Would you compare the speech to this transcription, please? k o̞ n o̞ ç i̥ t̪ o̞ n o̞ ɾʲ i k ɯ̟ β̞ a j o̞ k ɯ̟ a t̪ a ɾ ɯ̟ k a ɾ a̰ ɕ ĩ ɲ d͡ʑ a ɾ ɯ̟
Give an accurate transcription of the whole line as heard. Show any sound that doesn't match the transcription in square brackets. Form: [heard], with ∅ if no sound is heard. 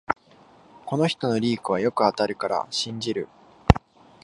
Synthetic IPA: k o̞ n o̞ ç i̥ t̪ o̞ n o̞ ɾʲ [iː] k ɯ̟ β̞ a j o̞ k ɯ̟ a t̪ a ɾ ɯ̟ k a ɾ a̰ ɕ ĩ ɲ d͡ʑ [i] ɾ ɯ̟